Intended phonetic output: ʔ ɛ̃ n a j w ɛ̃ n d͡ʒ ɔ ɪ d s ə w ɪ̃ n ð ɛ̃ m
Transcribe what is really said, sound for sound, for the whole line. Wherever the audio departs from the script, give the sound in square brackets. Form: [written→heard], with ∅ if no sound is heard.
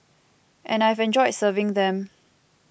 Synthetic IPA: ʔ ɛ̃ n a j [w→v] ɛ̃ n d͡ʒ ɔ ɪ d s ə [w→v] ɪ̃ [n→ŋ] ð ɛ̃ m